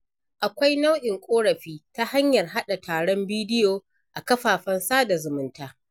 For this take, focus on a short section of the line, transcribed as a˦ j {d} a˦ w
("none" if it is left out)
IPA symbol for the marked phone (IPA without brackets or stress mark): n